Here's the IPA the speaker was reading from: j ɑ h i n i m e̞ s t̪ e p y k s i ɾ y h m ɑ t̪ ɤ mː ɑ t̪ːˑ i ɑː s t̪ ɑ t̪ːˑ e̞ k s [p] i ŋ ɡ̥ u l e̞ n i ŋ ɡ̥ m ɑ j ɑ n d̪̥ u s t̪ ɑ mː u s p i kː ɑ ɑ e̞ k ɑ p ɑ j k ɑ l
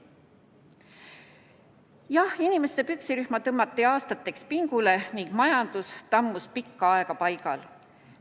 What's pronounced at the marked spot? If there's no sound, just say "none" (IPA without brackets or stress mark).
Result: p